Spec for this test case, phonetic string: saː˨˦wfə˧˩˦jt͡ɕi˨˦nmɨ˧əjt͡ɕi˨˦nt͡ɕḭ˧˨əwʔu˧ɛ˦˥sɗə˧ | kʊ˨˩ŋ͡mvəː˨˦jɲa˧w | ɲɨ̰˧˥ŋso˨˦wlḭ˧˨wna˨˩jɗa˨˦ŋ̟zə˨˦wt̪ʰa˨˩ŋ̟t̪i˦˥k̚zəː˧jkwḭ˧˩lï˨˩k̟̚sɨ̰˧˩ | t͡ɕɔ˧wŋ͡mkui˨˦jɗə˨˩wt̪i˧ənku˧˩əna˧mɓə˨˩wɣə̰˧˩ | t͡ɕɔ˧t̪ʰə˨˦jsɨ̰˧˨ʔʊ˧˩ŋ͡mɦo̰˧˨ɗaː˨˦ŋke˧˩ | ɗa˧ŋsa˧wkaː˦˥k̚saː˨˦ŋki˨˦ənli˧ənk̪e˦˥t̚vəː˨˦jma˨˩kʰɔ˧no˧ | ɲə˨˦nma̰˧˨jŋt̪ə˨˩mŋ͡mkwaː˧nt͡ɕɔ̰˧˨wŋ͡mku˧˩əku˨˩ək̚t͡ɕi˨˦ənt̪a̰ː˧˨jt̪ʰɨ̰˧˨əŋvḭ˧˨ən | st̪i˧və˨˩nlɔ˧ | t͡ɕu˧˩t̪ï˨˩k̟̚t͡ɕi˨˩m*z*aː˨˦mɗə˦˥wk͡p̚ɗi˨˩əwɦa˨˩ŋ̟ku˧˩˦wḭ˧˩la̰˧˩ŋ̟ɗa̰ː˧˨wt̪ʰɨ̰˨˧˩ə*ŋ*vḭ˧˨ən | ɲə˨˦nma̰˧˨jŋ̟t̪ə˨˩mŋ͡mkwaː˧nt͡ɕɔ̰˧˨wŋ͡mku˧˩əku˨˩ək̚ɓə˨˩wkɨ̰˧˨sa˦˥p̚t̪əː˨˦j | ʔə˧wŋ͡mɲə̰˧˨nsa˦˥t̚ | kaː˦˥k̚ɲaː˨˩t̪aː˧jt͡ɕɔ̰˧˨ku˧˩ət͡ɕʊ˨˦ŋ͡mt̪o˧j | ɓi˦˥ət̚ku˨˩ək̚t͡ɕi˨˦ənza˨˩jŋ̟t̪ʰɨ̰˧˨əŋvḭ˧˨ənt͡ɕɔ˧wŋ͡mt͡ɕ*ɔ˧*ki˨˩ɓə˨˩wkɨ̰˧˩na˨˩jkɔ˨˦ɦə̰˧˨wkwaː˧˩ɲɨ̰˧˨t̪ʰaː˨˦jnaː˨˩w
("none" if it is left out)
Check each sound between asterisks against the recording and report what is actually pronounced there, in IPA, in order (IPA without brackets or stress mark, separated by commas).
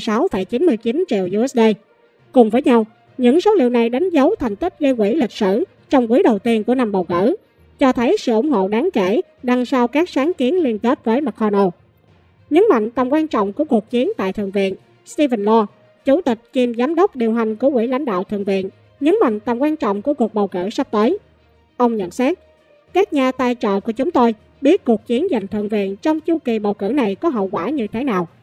z, ŋ, u˧